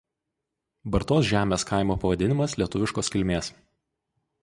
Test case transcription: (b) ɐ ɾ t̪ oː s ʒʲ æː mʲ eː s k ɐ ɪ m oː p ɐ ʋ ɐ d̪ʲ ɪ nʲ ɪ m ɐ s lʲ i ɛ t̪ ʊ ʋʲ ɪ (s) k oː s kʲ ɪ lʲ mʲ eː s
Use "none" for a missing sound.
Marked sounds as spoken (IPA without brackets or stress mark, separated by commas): b, ʃ